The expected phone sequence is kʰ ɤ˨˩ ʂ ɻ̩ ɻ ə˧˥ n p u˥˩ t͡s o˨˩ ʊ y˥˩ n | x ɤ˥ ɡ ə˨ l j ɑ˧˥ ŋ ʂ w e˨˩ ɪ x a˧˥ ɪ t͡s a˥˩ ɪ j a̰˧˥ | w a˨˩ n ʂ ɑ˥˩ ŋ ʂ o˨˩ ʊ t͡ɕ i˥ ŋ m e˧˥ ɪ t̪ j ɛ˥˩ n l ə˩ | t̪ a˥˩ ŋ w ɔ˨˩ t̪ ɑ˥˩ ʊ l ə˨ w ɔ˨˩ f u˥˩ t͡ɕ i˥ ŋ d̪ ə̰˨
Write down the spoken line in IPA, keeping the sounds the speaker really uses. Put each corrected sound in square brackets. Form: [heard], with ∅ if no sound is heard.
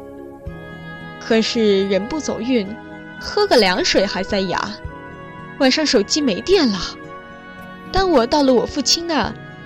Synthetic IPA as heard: kʰ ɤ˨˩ ʂ ɻ̩ ɻ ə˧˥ n p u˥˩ t͡s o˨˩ ʊ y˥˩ n | x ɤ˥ ɡ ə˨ l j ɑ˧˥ ŋ ʂ w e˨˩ ɪ x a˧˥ ɪ t͡s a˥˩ ɪ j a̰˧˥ | w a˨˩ n ʂ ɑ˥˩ ŋ ʂ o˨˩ ʊ t͡ɕ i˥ [∅] m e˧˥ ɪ t̪ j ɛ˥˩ n l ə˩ | t̪ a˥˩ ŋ w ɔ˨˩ t̪ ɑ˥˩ ʊ l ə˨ w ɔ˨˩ f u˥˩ [t͡ɕʰ] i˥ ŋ d̪ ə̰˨